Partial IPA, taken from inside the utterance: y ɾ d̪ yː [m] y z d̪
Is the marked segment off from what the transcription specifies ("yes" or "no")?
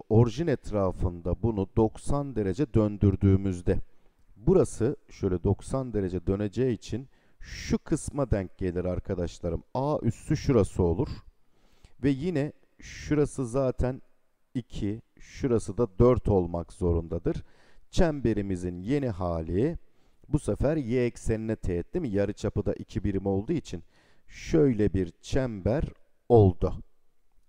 no